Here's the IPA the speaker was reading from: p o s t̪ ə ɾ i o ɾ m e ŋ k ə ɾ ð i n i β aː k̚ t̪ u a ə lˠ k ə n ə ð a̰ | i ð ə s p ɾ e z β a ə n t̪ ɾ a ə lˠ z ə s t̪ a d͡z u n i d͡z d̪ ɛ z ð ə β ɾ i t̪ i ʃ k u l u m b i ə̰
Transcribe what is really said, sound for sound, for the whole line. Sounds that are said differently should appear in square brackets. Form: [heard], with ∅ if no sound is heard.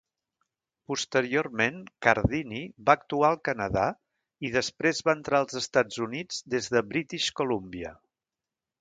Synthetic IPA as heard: p [u] s t̪ ə ɾ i o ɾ m e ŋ k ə ɾ ð i n i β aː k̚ t̪ u a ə lˠ k ə n ə ð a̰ | i ð ə s p ɾ e z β a ə n t̪ ɾ a ə lˠ z ə s t̪ a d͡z u n i d͡z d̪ [e] z ð ə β ɾ i t̪ i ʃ k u l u m b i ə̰